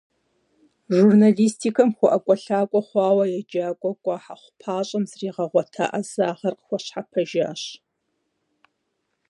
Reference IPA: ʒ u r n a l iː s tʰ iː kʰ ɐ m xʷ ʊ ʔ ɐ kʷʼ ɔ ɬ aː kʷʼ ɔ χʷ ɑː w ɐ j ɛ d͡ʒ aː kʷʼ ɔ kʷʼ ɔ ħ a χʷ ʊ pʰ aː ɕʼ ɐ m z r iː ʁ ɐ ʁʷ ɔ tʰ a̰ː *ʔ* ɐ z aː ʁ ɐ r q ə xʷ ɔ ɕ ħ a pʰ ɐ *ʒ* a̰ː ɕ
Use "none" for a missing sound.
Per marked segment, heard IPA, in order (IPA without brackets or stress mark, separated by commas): ʔ, ʒ